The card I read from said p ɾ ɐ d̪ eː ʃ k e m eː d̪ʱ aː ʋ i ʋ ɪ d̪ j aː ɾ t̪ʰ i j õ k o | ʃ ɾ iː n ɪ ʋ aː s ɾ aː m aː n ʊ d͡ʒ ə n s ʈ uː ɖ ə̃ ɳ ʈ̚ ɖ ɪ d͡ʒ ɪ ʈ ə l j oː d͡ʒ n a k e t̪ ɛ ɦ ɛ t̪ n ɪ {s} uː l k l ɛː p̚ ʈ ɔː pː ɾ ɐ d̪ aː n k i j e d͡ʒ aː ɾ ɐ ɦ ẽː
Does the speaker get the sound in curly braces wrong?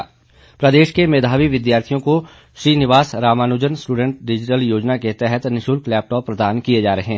yes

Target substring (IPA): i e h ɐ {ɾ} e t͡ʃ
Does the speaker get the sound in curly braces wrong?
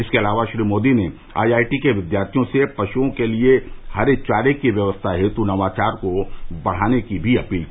no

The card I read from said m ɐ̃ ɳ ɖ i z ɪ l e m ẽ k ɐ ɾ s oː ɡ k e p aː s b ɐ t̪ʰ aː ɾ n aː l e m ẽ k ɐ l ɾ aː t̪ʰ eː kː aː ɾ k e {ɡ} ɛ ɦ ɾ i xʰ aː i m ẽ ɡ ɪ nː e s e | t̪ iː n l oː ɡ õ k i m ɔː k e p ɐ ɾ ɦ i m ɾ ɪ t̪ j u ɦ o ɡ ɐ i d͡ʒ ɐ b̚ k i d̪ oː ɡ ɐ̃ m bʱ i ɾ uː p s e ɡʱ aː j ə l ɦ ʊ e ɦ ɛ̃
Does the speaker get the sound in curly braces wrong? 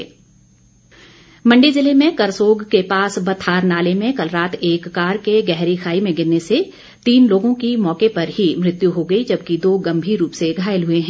no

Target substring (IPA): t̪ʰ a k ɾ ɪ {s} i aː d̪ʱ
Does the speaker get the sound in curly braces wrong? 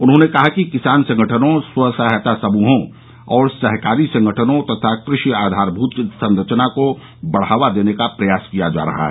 yes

